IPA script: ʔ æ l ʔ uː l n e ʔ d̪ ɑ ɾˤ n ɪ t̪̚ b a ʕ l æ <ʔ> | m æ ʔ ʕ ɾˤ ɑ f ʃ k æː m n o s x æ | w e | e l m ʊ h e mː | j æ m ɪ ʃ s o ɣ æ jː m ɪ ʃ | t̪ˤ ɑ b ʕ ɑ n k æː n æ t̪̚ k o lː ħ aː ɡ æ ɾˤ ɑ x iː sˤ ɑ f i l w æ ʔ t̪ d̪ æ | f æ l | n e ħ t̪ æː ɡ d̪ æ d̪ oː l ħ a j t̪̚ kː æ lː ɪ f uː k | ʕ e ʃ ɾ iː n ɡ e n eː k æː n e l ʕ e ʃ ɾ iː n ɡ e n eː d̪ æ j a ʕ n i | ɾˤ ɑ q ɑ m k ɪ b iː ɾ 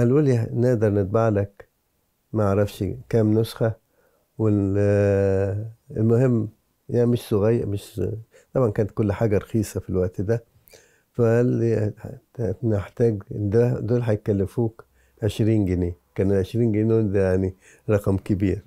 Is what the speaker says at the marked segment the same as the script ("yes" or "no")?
no